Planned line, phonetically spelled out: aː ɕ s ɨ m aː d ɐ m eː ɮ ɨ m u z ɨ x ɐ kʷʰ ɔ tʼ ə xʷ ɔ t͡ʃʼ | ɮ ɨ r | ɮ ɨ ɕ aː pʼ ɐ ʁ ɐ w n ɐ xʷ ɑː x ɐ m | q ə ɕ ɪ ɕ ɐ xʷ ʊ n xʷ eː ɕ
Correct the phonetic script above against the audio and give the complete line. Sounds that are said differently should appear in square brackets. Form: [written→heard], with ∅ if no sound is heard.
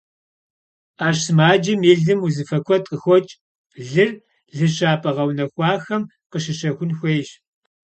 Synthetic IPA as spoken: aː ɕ s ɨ m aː [d→d͡ʒ] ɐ m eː ɮ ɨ m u z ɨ [x→f] ɐ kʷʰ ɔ tʼ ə xʷ ɔ t͡ʃʼ | ɮ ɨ r | ɮ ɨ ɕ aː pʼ ɐ ʁ ɐ w n ɐ xʷ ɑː x ɐ m | q ə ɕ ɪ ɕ ɐ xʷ ʊ n xʷ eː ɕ